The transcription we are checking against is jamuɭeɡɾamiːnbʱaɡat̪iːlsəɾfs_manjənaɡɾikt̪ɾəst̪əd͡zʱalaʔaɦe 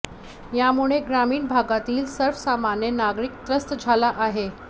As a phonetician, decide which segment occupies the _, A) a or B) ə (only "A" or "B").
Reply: A